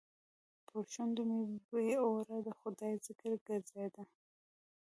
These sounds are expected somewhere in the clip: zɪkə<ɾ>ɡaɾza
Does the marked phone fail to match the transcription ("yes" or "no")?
no